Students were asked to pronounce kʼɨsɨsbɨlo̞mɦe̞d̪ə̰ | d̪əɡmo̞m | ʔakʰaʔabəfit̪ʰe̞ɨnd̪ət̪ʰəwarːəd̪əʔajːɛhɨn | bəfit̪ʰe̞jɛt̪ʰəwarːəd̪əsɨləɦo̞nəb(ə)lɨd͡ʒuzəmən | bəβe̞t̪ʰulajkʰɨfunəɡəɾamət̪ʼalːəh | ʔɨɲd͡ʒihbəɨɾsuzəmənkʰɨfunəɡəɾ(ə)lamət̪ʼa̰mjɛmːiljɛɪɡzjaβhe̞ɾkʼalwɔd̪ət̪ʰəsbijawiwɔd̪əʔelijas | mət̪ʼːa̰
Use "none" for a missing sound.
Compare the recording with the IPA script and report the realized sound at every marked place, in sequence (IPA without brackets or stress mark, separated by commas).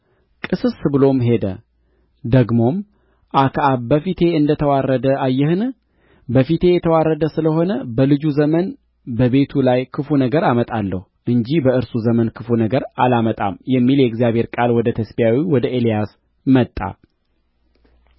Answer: ə, a